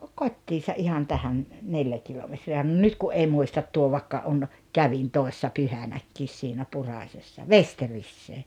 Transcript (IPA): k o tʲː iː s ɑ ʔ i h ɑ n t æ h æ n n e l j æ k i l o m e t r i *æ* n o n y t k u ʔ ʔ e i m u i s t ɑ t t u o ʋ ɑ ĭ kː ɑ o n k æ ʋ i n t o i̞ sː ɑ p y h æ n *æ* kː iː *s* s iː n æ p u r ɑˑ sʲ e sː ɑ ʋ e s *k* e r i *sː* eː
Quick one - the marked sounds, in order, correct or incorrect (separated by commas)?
correct, correct, correct, incorrect, correct